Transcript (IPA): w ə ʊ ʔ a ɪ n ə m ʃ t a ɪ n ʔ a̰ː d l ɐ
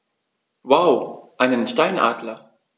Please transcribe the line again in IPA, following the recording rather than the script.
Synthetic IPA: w a ʊ ʔ a ɪ n ə n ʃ t a ɪ n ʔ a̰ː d l ɐ

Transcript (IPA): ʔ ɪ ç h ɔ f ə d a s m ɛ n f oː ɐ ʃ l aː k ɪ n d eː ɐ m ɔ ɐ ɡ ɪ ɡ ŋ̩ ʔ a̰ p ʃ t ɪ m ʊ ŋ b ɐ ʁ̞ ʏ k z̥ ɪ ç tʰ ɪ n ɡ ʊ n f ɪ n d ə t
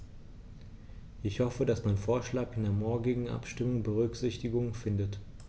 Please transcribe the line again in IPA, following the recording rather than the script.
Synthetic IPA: ʔ ɪ ç h ɔ f ə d a s m a n f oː ɐ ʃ l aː k ɪ n d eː ɐ m ɔ ɐ ɡ ɪ ɡ ŋ̩ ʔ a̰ p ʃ t ɪ m ʊ ŋ b ə ʁ̞ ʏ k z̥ ɪ ç t ɪ ɡ ʊ ŋ f ɪ n d ə t

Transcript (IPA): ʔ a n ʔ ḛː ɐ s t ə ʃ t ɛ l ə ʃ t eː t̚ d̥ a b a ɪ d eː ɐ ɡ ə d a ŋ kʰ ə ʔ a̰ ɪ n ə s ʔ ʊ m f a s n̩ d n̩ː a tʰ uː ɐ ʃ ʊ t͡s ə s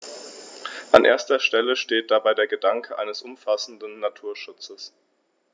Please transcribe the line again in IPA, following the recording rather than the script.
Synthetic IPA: ʔ a n ʔ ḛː ɐ s t ɐ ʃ t ɛ l ə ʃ t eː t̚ d̥ a b a ɪ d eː ɐ ɡ ə d a ŋ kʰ ə ʔ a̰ ɪ n ə s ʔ ʊ m f a s n̩ d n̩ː a tʰ uː ɐ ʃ ʊ t͡s ə s

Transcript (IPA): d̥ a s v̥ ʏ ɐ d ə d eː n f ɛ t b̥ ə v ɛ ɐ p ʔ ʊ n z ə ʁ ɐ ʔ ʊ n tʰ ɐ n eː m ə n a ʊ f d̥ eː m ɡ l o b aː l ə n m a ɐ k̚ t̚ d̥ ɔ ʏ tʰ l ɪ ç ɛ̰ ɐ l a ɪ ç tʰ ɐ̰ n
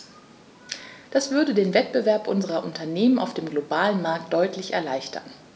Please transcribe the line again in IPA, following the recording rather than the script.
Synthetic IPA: d̥ a s v̥ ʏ ɐ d ə d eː n v ɛ t b̥ ə v ɛ ɐ p ʔ ʊ n z ə ʁ ɐ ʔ ʊ n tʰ ɐ n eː m ə n a ʊ f d̥ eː m ɡ l o b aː l ə n m a ɐ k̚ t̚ d̥ ɔ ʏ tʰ l ɪ ç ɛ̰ ɐ l a ɪ ç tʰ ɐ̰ n

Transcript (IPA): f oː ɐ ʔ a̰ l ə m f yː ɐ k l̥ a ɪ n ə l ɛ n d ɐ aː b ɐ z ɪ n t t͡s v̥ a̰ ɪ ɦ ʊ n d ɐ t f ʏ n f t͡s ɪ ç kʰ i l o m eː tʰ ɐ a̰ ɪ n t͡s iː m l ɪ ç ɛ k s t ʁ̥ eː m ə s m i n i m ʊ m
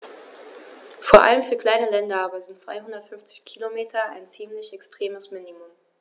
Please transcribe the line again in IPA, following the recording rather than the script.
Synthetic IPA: f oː ɐ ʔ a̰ l ə m f yː ɐ k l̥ a ɪ n ə l ɛ n d ɐ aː b ɐ z ɪ n t t͡s v̥ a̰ ɪ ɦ ʊ n d ɐ t f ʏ n f t͡s ɪ ç kʰ i l o m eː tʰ ɐ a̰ ɪ n t͡s iː m l ɪ ç ɛ k s t ʁ̥ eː m ə s m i n i m ʊ m

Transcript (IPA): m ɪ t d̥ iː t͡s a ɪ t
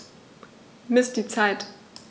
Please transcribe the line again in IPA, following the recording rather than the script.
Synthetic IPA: m ɪ s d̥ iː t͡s a ɪ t

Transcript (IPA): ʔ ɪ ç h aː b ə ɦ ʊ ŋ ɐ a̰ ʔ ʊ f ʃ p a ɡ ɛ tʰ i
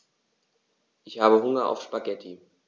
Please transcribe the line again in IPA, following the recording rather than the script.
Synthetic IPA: ʔ ɪ ç h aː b ə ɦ ʊ ŋ ɐ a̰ ʊ f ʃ p a ɡ ɛ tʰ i

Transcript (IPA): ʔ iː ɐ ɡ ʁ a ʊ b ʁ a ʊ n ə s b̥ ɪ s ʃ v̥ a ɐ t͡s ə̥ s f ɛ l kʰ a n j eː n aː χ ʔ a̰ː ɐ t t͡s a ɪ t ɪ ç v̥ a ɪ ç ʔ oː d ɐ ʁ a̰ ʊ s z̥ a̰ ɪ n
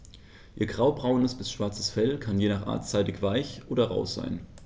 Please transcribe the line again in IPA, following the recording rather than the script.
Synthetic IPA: ʔ iː ɐ ɡ ʁ a ʊ b ʁ a ʊ n ə s b̥ ɪ s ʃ v̥ a ɐ t͡s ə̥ s f ɛ l kʰ a n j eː n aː χ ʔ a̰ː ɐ t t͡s a ɪ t ɪ ç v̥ a ɪ ç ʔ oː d ɐ ʁ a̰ ʊ s z̥ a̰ ɪ n

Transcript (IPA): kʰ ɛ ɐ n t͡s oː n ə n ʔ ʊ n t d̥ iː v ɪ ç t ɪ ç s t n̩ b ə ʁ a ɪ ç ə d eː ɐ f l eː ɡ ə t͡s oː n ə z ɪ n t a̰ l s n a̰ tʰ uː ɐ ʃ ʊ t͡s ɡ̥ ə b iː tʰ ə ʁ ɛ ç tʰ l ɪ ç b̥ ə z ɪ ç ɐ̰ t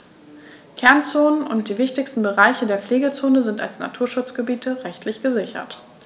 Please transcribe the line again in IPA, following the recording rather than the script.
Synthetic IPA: kʰ ɛ ɐ n t͡s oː n ə n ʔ ʊ n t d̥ iː v ɪ ç t ɪ ç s t n̩ b ə ʁ a ɪ ç ə d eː ɐ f l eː ɡ ə t͡s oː n ə z ɪ n t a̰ l s n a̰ tʰ uː ɐ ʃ ʊ t͡s ɡ̥ ə b iː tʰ ə ʁ ɛ ç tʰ l ɪ ç ɡ̥ ə z ɪ ç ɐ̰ t

